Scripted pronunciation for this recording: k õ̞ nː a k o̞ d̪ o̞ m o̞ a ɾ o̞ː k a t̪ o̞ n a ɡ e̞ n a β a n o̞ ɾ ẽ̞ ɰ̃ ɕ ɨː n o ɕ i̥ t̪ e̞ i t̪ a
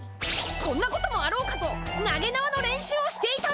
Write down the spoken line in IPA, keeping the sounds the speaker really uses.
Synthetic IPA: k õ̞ nː a k o̞ t̪ o̞ m o̞ a ɾ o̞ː k a t̪ o̞ n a ɡ e̞ n a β a n o̞ ɾ ẽ̞ ɰ̃ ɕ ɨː o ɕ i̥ t̪ e̞ i t̪ a